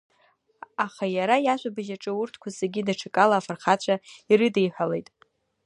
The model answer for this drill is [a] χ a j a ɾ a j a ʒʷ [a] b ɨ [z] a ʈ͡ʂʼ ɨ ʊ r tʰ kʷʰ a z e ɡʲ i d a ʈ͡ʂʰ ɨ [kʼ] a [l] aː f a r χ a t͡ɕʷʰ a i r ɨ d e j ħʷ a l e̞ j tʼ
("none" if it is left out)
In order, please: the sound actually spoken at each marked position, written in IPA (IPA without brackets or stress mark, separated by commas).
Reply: a, a, ʒ, kʼ, l